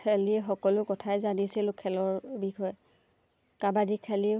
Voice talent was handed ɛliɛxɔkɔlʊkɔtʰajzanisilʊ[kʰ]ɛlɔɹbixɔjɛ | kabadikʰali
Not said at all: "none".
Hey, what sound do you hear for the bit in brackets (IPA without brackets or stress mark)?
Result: kʰ